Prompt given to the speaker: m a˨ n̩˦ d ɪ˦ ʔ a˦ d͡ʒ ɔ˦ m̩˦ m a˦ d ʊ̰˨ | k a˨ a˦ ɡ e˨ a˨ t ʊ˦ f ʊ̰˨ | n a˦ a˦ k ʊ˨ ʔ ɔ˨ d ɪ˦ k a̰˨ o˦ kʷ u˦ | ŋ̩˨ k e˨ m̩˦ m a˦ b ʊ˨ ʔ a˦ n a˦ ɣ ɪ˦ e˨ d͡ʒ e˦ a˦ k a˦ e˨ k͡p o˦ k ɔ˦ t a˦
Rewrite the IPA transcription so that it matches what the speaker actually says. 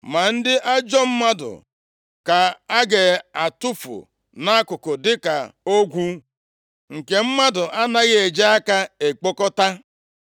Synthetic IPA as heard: m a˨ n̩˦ d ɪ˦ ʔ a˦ d͡ʒ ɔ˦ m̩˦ m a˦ d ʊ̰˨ | k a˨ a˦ ɡ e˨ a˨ t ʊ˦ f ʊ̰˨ | n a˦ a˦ k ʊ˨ k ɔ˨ d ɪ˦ k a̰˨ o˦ ɡʷ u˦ | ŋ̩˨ k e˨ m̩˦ m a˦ d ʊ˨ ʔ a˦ n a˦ ɣ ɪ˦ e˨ d͡ʒ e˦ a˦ k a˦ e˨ k͡p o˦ k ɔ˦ t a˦

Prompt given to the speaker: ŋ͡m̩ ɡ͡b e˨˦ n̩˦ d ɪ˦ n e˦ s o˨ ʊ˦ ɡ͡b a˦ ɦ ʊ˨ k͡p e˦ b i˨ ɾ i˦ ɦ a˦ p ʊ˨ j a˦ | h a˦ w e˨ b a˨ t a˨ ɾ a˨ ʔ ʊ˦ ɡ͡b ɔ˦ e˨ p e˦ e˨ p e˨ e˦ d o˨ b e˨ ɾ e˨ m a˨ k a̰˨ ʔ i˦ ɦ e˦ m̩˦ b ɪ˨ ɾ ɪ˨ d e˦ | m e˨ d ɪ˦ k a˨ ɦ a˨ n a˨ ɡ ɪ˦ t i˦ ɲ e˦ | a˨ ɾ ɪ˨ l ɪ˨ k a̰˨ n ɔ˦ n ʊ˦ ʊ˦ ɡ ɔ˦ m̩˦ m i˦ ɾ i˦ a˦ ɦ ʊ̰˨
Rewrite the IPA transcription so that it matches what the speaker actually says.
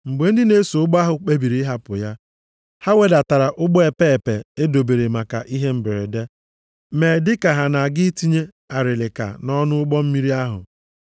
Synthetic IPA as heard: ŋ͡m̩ ɡ͡b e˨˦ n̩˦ d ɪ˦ n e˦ s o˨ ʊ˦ ɡ͡b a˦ ɦ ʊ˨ k͡p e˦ b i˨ ɾ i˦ ɦ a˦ p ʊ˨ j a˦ | h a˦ w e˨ d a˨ t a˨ ɾ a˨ ʔ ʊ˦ ɡ͡b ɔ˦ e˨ p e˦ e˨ p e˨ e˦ d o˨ b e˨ ɾ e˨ m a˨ k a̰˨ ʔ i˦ ɦ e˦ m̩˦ b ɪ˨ ɾ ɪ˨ d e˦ | m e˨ d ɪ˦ k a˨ ɦ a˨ n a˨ ɡ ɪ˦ t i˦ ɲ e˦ | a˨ ɾ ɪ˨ l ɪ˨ k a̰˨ n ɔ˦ n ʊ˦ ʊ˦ ɡ͡b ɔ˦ m̩˦ m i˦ ɾ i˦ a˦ ɦ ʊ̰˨

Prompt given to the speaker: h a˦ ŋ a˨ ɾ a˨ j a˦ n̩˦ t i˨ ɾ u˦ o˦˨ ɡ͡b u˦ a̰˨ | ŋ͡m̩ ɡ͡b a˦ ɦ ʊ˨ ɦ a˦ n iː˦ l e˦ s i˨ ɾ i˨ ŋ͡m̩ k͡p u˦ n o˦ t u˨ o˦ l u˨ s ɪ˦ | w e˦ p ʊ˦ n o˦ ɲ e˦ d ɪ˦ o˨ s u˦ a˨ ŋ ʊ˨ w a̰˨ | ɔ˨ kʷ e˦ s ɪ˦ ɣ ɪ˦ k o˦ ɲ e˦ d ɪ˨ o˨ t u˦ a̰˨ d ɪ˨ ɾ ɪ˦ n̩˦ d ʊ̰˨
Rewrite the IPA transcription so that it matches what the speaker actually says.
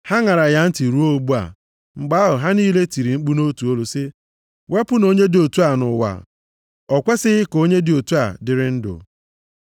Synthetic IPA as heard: h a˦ ŋ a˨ ɾ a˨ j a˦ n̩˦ t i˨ ɾ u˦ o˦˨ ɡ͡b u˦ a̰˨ | ŋ͡m̩ ɡ͡b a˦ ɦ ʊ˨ ɦ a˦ n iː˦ l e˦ t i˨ ɾ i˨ ŋ͡m̩ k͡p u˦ n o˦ t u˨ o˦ l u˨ s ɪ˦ | w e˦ p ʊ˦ n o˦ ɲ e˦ d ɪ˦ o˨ t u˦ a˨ n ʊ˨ w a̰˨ | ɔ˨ kʷ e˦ s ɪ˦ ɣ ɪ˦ k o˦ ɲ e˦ d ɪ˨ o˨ t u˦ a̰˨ d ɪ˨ ɾ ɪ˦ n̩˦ d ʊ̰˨

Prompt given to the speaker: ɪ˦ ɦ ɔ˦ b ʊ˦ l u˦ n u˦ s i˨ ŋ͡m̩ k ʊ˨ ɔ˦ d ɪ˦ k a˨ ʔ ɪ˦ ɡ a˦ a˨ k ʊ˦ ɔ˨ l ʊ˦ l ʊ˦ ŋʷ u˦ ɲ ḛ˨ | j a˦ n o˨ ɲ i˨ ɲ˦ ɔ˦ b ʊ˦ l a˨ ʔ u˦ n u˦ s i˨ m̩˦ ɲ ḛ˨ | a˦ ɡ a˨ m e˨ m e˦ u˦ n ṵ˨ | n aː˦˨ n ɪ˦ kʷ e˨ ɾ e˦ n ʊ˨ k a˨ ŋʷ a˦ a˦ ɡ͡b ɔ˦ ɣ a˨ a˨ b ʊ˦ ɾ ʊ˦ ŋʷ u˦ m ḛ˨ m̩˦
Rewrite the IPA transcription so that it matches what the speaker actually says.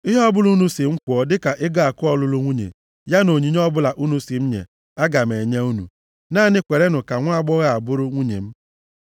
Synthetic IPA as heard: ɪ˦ ɦ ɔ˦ b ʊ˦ l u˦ n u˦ s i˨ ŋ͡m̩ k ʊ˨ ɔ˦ d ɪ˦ k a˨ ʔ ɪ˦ ɡ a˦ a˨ k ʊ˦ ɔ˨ l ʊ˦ l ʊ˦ ŋʷ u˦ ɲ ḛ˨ | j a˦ n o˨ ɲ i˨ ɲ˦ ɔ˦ b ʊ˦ l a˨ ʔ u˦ n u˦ s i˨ m̩˦ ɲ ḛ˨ | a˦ ɡ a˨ m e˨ ɲ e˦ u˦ n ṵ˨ | n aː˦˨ n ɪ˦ kʷ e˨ ɾ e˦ n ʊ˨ k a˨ ŋʷ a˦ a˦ ɡ͡b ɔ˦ ɣ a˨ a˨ b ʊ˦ ɾ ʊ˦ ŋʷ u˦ ɲ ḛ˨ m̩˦

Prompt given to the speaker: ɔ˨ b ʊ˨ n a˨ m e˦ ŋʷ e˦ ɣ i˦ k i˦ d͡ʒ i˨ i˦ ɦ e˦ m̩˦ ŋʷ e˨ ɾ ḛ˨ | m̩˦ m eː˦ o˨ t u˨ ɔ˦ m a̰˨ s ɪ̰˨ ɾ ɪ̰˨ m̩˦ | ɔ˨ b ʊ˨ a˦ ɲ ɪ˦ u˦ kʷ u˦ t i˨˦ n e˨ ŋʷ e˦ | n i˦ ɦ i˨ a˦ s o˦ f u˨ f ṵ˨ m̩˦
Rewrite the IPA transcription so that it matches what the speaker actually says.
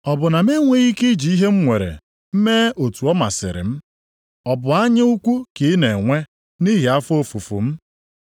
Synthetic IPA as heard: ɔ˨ b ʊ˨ n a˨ m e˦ ŋʷ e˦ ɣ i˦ k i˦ d͡ʒ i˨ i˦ ɦ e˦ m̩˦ ŋʷ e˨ ɾ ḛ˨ | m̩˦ m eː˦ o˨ t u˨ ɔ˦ m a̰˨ s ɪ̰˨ ɾ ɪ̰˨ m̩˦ | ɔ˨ b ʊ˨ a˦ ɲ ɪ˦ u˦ kʷ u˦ k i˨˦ n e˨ ŋʷ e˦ | n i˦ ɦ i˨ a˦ f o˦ f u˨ f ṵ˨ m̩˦

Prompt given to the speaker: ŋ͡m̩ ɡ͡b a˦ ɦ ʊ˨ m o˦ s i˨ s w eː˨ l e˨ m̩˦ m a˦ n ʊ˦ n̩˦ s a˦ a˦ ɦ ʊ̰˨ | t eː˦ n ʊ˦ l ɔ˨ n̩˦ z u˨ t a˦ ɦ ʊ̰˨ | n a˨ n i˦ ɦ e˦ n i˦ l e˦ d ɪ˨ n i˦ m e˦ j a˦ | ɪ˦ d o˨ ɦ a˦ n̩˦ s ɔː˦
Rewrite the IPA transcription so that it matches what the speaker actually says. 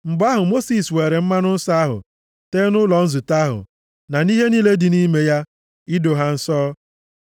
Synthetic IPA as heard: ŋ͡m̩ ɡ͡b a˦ ɦ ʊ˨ m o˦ s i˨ s w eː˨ ɾ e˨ m̩˦ m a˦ n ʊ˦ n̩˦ s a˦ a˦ ɦ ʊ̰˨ | t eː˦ n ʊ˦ l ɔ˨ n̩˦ z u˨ t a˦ ɦ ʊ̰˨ | n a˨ n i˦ ɦ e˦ n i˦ l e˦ d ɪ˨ n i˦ m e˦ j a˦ | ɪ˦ d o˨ ɦ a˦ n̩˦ s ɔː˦

